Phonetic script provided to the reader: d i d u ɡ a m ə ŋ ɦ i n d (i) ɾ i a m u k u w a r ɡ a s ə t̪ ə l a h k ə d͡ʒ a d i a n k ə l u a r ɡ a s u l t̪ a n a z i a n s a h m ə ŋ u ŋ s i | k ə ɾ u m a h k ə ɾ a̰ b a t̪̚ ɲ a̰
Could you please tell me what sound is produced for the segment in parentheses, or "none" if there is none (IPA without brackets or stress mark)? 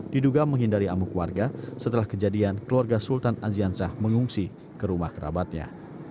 a